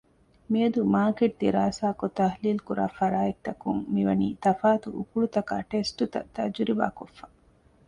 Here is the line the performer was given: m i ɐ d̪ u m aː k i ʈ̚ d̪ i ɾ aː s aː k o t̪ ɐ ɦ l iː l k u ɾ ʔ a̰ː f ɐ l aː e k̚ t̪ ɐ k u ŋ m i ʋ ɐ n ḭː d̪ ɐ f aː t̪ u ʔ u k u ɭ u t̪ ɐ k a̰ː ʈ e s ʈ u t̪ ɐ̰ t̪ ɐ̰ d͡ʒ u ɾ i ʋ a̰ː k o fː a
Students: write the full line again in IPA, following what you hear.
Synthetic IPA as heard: m i ɐ d̪ u m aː k e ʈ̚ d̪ i ɾ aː s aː k o t̪ ɐ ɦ l iː l k u ɾ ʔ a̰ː f ɐ ɾ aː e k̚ t̪ ɐ k u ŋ m i ʋ ɐ n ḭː t̪ ɐ f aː t̪ u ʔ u k u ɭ u t̪ ɐ k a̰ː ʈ e s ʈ u t̪ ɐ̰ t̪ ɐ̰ d͡ʒ u ɾ i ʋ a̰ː k o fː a